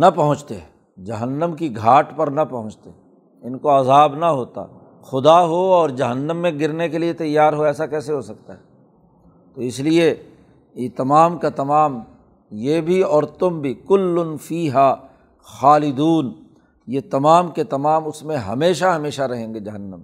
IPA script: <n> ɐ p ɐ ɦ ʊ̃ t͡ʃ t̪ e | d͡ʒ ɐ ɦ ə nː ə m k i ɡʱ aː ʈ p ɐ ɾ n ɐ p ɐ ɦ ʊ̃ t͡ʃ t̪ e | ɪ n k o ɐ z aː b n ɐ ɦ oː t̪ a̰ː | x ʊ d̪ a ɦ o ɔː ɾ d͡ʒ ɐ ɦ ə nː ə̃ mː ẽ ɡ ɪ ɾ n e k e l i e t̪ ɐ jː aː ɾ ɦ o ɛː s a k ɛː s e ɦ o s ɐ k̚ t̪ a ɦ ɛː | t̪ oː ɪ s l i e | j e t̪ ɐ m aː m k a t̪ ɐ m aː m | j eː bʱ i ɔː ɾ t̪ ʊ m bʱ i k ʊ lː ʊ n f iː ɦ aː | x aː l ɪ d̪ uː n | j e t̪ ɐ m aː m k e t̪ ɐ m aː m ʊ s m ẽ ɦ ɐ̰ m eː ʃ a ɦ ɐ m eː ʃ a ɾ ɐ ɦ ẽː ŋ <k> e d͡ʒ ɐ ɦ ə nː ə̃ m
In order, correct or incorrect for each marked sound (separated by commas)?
correct, incorrect